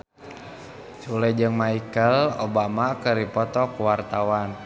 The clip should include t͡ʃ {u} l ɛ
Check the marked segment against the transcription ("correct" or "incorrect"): correct